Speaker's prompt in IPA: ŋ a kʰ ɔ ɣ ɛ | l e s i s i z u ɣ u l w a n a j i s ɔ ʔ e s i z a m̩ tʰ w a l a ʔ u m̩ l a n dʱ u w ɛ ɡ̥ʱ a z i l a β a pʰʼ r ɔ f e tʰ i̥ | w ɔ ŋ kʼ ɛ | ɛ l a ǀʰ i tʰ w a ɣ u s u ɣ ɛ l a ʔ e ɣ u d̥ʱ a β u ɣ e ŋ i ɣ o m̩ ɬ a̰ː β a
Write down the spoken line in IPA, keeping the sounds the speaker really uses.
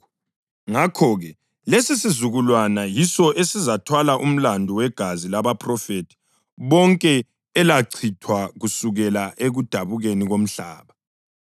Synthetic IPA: ŋ a kʰ ɔ ɣ ɛ | l e s i s i z u ɣ u l w a n a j i s ɔ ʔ e s i z a tʰ w a l a ʔ u m̩ l a n dʱ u w ɛ ɡ̥ʱ a z i l a β a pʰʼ r ɔ f e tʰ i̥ | β ɔ ŋ kʼ ɛ | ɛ l a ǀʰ i tʰ w a ɣ u s u ɣ ɛ l a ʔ e ɣ u d̥ʱ a β u ɣ e n i ɣ o m̩ ɬ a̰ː β a